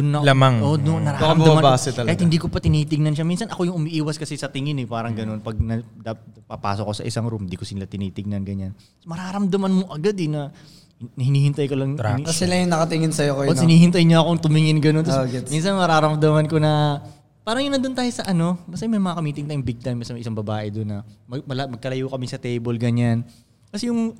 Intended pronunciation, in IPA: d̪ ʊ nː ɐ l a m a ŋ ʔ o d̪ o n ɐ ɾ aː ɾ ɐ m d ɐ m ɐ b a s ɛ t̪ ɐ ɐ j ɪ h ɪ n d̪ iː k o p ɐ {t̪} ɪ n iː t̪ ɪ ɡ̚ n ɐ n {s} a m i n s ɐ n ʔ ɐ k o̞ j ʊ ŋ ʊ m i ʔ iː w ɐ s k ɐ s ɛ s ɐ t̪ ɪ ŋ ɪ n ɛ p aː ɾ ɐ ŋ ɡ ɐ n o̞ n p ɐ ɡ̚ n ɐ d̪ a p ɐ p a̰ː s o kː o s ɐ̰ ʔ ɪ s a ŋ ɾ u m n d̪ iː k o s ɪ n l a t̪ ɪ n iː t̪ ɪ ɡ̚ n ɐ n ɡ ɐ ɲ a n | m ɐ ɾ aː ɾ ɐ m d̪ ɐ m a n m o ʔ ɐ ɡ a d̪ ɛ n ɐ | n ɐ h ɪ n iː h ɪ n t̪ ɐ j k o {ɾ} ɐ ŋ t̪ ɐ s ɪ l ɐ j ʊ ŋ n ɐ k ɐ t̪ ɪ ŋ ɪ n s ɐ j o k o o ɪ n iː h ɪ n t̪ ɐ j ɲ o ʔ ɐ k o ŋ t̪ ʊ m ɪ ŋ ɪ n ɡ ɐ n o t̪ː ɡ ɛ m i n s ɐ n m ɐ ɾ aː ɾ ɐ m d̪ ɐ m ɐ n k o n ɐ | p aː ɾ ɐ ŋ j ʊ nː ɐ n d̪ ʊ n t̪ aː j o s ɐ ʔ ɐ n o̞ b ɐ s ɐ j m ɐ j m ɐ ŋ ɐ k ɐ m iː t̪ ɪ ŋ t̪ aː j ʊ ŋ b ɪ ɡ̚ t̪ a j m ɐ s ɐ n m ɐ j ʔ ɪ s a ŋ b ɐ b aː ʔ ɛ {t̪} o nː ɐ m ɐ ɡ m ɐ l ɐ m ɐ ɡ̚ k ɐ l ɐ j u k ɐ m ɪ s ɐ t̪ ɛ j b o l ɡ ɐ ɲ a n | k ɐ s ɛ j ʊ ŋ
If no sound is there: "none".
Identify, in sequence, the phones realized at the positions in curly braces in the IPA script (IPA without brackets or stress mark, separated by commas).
t̪, ʃ, l, d̪